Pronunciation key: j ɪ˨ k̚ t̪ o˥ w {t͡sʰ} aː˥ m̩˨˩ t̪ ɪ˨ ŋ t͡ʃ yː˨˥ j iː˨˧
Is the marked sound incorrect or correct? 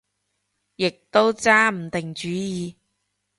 incorrect: t͡s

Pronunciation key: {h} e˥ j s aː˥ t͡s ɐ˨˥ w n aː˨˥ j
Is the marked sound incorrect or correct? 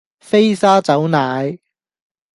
incorrect: f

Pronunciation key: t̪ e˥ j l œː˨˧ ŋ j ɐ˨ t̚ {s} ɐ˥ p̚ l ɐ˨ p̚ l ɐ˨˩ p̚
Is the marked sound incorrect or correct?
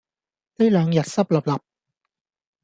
correct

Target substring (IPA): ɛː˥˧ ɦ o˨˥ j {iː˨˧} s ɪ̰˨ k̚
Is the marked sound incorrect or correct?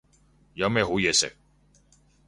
incorrect: ɛː˨˧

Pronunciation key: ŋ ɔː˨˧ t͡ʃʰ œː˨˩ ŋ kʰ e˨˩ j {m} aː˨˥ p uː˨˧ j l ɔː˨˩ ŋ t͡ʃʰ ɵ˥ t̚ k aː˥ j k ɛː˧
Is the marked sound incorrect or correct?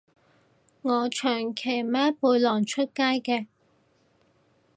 correct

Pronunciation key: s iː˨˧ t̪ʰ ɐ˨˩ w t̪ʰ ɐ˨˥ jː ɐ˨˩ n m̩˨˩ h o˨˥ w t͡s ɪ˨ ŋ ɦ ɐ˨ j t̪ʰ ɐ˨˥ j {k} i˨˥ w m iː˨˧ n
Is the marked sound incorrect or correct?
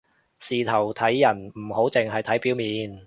incorrect: p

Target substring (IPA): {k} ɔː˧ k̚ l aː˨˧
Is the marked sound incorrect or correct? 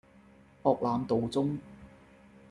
incorrect: p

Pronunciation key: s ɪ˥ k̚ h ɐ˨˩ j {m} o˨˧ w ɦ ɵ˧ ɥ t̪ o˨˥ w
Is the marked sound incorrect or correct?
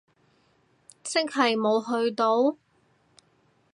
correct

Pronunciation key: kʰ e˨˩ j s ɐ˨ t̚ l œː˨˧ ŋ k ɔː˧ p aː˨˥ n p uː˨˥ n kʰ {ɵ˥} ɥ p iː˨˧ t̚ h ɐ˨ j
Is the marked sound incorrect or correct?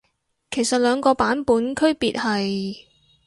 correct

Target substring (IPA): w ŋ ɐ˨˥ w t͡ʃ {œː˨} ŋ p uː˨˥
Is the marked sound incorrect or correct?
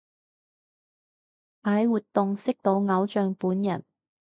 correct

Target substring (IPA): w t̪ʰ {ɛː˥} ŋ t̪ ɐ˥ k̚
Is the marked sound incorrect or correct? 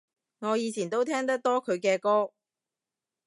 correct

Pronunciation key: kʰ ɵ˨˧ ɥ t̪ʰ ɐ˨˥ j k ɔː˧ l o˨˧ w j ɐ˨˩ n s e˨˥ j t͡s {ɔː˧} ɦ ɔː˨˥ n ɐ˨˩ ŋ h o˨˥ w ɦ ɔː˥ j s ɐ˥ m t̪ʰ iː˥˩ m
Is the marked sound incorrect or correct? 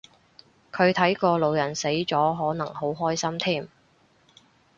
incorrect: ɔː˨˥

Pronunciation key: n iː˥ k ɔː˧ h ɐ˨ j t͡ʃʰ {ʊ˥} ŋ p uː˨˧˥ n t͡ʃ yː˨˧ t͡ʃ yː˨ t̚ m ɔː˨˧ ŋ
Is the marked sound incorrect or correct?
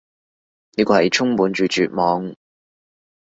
correct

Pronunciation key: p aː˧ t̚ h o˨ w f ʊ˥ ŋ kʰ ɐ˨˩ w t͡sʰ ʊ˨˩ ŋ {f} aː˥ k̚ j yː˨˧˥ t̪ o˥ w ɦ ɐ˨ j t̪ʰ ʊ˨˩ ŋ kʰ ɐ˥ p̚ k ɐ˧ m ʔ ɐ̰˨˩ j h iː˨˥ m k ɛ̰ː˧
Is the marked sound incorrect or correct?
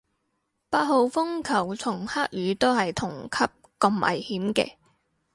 incorrect: h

